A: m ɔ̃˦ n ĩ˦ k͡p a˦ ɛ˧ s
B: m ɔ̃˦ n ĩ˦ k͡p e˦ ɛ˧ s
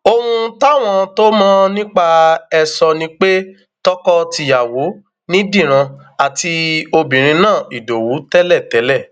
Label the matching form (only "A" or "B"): A